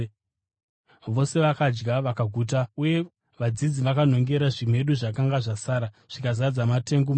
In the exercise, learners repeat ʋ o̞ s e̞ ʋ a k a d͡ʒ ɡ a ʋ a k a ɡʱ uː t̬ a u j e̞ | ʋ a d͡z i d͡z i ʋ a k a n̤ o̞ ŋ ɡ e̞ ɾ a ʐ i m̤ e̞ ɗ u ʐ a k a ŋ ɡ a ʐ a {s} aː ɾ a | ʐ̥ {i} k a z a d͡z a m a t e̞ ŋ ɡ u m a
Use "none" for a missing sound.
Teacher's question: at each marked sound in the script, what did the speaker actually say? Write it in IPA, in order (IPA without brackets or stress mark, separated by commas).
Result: s, i